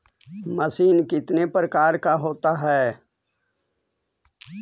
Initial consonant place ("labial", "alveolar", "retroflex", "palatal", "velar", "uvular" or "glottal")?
labial